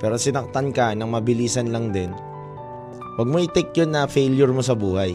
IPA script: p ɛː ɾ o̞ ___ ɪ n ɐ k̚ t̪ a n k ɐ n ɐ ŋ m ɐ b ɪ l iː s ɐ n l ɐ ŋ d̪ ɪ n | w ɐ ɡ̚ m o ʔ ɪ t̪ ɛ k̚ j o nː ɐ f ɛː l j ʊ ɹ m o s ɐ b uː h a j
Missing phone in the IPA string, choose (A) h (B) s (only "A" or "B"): B